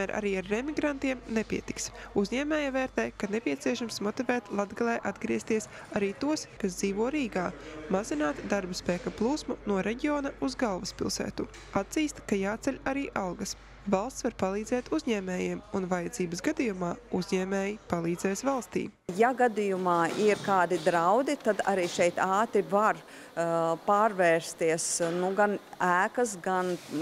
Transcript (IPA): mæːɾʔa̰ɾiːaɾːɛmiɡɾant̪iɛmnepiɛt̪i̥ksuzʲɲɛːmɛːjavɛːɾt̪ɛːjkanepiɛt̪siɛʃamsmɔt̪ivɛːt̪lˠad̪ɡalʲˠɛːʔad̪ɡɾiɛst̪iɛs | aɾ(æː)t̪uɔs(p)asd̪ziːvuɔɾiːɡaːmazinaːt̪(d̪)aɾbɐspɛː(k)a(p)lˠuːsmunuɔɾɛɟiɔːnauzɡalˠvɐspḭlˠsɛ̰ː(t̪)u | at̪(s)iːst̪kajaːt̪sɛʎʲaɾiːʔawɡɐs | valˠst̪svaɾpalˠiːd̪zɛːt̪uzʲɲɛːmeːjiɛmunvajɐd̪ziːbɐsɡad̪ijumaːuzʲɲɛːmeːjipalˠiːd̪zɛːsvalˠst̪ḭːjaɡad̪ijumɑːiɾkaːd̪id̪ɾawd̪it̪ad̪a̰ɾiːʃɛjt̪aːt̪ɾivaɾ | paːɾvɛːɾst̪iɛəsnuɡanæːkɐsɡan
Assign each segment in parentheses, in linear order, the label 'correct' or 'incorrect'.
incorrect: iː, incorrect: k, correct, correct, correct, correct, incorrect: z

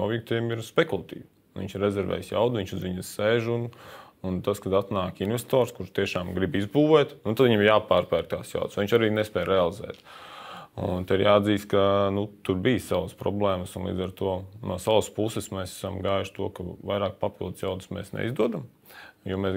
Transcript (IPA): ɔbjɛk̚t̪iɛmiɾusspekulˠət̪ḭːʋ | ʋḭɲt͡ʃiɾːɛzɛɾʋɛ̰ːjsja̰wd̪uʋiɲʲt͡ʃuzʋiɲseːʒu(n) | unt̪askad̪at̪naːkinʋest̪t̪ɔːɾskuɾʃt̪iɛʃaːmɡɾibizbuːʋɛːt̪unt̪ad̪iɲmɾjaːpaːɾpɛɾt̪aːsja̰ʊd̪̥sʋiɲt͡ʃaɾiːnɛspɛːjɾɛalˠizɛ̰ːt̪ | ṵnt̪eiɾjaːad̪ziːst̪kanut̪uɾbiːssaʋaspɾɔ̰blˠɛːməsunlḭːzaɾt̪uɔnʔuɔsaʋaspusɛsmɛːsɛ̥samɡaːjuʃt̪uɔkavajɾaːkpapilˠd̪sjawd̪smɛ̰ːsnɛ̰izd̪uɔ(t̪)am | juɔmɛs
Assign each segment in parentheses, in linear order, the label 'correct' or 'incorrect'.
correct, incorrect: d̪

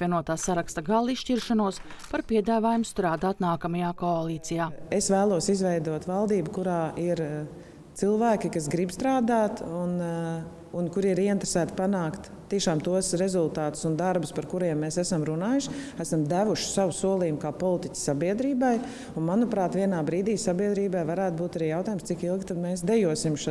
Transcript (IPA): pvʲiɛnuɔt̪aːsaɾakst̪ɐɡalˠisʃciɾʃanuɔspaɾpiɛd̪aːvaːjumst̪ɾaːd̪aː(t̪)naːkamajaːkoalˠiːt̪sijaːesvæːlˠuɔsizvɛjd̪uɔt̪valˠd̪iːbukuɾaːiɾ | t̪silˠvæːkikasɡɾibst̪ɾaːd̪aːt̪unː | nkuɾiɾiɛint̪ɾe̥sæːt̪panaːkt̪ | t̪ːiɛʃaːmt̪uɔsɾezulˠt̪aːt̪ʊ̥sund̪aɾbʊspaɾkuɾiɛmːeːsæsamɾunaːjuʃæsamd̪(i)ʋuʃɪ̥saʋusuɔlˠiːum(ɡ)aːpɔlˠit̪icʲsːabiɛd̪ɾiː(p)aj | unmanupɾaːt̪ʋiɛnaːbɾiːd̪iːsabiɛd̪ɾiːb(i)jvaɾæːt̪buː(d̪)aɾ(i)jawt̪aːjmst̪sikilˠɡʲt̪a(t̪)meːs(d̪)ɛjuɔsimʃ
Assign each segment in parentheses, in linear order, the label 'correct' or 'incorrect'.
correct, incorrect: æ, incorrect: k, incorrect: b, incorrect: a, incorrect: t̪, incorrect: iː, incorrect: d̪, correct

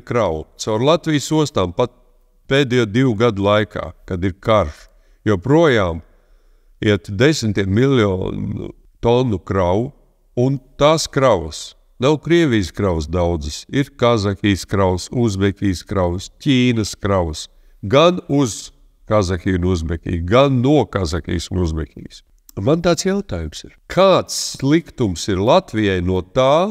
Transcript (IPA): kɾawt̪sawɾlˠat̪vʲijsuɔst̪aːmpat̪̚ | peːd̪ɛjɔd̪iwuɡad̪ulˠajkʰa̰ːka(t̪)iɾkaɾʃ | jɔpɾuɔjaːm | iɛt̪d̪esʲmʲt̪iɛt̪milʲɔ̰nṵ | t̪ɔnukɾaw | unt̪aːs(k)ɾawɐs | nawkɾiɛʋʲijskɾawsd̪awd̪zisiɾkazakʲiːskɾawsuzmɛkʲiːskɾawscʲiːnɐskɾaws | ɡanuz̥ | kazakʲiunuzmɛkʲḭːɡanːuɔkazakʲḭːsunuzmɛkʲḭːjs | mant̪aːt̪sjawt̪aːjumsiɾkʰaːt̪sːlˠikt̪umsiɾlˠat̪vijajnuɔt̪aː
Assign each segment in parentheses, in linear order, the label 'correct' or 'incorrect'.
incorrect: d̪, correct

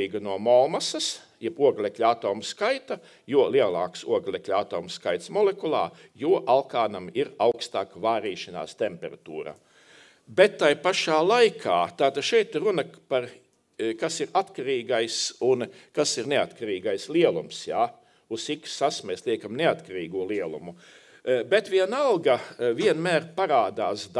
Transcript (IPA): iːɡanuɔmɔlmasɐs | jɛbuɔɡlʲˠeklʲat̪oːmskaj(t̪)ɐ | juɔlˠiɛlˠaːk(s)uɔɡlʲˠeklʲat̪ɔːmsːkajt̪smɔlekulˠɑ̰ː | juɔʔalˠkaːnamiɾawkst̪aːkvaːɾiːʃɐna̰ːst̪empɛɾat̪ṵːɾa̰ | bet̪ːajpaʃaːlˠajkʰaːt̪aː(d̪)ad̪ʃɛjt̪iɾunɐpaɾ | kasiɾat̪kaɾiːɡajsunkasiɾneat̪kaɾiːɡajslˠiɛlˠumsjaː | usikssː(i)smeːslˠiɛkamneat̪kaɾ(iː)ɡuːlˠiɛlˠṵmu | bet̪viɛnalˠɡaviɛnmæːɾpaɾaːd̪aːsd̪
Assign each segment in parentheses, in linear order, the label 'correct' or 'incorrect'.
correct, correct, incorrect: t̪, incorrect: a, correct

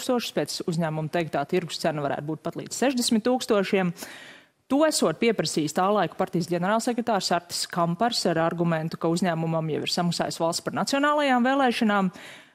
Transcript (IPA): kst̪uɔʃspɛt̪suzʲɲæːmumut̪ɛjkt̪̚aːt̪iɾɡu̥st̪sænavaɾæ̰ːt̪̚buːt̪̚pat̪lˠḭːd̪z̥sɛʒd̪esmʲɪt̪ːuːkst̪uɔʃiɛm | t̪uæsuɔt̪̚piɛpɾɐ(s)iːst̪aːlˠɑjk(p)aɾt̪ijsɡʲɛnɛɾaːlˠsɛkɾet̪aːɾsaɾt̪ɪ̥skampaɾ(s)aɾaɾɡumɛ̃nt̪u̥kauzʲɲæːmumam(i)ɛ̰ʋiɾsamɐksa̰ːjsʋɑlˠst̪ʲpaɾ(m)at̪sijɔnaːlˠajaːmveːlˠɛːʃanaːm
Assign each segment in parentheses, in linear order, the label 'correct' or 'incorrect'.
correct, correct, correct, incorrect: j, incorrect: n

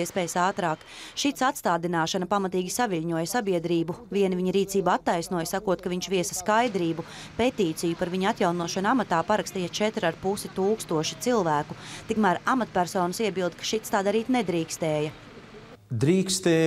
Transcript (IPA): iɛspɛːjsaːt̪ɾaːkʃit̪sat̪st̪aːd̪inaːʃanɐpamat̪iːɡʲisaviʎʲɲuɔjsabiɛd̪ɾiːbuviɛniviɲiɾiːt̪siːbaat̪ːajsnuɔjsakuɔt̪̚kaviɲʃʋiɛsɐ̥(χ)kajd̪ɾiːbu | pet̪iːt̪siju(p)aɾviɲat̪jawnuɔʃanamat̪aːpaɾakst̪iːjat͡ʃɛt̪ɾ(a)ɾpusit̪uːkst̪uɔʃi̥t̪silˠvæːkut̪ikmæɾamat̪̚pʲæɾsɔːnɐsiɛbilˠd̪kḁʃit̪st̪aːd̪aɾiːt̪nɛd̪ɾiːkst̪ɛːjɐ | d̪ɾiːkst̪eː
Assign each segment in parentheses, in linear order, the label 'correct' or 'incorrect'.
incorrect: s, correct, correct

